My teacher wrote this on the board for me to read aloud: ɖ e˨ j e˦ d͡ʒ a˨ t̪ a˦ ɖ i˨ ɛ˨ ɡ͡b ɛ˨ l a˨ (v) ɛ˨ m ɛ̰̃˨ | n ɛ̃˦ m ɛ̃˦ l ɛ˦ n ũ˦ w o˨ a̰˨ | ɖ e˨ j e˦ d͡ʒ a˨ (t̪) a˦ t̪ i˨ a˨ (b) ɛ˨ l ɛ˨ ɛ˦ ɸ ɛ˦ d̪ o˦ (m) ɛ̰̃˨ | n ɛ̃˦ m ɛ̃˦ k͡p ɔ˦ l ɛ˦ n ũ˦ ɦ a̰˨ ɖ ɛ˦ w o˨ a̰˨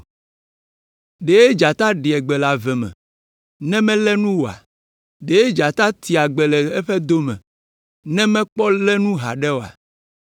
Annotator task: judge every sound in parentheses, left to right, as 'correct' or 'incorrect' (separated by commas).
correct, correct, incorrect, correct